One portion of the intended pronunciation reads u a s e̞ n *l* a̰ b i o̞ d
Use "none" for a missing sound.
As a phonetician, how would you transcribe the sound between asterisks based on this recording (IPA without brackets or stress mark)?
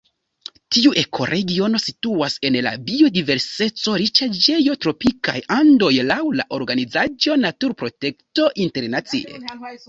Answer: l